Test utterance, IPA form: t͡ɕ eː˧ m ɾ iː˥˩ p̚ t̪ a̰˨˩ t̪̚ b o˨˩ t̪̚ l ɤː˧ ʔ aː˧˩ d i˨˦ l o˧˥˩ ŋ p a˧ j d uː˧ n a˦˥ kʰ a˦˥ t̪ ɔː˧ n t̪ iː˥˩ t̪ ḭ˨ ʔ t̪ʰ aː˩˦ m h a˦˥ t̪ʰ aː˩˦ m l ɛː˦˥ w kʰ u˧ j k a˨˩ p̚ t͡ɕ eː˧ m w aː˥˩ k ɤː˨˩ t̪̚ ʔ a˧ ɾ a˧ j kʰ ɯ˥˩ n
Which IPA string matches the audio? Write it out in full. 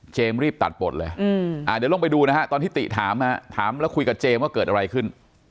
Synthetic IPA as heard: t͡ɕ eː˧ m ɾ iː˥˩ p̚ t̪ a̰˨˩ t̪̚ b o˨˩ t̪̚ l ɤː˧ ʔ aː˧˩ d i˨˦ l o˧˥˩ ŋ p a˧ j d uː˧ n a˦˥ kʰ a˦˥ t̪ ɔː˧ n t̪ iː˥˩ t̪ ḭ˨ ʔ t̪ʰ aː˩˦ m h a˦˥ t̪ʰ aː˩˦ m l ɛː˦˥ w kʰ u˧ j k a˨˩ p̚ t͡ɕ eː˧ m w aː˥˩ k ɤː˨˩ t̪̚ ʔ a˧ ɾ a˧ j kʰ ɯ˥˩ n